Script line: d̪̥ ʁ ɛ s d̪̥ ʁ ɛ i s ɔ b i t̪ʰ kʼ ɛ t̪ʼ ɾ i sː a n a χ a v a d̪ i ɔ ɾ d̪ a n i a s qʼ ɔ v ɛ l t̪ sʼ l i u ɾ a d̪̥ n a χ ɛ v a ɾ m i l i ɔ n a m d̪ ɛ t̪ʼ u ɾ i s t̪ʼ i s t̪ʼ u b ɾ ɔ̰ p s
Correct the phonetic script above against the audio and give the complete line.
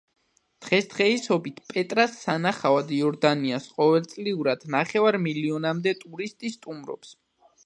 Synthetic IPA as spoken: d̪̥ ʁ ɛ s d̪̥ ʁ ɛ i s ɔ b i t̪ʰ pʼ ɛ t̪ʼ ɾ a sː a n a χ a v a d̪ i ɔ ɾ d̪ a n i a s qʼ ɔ v ɛ l t̪ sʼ l i u ɾ a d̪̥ n a χ ɛ v a ɾ m i l i ɔ n a m d̪ ɛ t̪ʼ u ɾ i s t̪ʼ i s t̪ʼ u m ɾ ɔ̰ p s